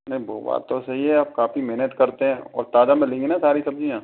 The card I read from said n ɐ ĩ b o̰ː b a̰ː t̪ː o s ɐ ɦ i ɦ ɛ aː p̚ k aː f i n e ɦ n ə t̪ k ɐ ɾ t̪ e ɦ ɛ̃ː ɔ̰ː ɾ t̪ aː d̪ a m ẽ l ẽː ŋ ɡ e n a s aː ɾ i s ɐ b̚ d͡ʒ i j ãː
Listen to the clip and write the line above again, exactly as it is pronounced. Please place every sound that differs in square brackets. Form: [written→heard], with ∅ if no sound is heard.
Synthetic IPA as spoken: n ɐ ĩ b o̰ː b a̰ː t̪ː o s ɐ ɦ i ɦ ɛ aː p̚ k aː f i [n→m] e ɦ n ə t̪ k ɐ ɾ t̪ e ɦ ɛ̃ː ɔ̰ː ɾ t̪ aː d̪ a m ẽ l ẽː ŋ ɡ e n a s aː ɾ i s ɐ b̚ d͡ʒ i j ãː